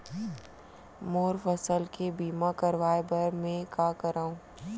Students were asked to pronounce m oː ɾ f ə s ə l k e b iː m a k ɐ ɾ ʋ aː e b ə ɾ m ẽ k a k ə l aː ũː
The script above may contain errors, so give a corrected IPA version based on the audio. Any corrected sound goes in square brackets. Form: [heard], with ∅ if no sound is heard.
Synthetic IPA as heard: m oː ɾ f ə s ə l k e b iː m a k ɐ ɾ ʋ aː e b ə ɾ m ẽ k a k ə [ɾ] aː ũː